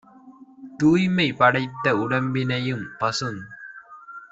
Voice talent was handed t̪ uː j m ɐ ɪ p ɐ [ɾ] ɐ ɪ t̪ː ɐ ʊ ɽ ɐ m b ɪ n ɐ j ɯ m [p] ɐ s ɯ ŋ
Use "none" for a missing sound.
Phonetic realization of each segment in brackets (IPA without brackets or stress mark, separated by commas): ɽ, p